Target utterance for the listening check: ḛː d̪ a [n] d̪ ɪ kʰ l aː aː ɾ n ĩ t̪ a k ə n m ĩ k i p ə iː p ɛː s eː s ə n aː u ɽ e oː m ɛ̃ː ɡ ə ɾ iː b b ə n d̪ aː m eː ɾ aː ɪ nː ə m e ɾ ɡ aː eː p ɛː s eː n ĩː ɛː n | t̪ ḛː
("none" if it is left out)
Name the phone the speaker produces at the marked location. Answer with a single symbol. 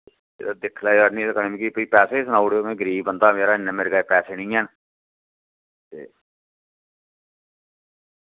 none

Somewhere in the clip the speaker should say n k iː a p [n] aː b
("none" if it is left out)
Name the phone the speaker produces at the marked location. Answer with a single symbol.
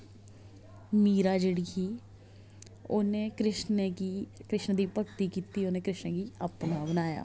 n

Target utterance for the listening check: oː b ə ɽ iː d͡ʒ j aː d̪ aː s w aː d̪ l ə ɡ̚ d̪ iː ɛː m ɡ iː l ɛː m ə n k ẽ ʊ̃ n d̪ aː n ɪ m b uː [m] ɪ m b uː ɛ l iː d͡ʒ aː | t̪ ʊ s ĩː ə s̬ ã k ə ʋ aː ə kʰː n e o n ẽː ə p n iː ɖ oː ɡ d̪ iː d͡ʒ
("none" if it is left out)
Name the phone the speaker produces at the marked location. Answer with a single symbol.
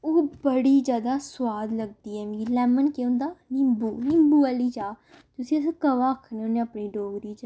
n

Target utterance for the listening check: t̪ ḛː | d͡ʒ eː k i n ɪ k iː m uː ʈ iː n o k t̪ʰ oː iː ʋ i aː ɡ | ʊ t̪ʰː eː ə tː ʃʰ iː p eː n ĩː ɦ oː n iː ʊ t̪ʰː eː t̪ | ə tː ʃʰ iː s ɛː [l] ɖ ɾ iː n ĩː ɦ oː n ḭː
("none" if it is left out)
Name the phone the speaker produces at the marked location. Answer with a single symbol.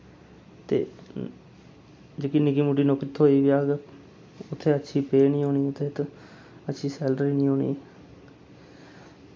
l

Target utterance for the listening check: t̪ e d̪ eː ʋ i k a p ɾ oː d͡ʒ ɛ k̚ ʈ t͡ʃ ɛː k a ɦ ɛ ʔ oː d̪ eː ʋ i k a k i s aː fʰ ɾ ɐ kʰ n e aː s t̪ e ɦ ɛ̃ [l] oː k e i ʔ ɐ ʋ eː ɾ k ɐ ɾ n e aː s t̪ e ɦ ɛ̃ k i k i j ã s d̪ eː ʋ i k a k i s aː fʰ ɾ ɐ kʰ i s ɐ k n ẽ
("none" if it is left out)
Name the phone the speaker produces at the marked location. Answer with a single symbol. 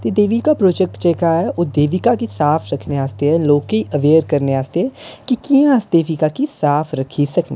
l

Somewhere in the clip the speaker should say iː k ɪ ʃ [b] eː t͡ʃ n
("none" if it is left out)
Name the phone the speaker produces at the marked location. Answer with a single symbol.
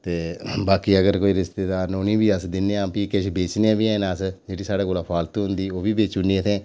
b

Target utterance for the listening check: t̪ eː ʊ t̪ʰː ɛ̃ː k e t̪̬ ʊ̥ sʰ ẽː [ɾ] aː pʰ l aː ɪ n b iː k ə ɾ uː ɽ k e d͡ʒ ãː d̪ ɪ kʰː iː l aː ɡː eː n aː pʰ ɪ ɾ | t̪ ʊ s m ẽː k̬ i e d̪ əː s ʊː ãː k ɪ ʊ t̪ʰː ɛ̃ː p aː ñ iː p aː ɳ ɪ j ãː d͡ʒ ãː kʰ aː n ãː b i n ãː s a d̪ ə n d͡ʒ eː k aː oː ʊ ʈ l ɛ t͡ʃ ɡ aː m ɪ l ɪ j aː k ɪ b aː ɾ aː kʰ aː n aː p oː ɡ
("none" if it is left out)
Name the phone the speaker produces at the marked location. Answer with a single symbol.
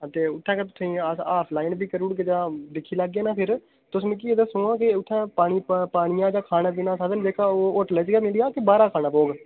none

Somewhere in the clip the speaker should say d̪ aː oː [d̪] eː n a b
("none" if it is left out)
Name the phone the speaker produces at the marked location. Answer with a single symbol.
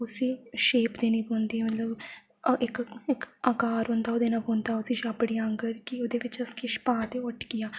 d̪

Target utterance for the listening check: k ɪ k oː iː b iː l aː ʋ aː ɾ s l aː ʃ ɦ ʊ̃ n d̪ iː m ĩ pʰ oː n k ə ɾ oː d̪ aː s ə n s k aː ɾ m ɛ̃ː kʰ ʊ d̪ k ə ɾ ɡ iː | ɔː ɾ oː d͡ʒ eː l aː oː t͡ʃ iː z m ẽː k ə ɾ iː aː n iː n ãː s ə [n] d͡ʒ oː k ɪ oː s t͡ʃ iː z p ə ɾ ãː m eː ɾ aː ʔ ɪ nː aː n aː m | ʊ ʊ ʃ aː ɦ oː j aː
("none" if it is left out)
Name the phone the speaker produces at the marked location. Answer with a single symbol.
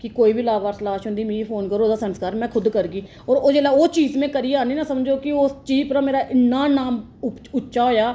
m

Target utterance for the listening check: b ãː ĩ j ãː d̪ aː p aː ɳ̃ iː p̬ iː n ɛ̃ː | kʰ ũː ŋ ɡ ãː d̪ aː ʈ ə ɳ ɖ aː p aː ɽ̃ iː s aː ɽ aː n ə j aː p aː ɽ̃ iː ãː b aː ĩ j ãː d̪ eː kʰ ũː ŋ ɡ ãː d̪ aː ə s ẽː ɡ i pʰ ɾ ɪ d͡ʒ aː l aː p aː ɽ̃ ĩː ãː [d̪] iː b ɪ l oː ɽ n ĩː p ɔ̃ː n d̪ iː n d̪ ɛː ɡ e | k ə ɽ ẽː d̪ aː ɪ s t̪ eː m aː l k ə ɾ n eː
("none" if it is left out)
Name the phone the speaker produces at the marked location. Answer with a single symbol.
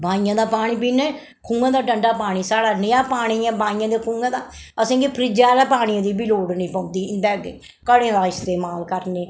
d̪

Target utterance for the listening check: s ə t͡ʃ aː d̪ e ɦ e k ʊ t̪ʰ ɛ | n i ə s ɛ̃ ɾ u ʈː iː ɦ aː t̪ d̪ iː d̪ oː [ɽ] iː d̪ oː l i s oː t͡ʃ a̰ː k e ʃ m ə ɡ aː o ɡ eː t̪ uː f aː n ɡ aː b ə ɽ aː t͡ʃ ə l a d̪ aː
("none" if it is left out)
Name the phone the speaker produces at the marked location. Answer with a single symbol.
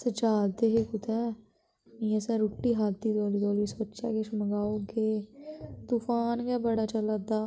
l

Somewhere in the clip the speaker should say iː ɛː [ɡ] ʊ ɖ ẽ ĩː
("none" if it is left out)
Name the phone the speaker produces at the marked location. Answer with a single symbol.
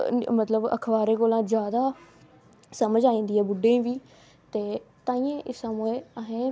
b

